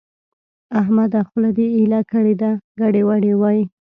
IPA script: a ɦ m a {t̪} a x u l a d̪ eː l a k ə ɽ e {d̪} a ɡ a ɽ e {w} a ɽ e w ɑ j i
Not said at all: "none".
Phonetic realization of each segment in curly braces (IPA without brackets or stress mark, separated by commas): d̪, d̪, w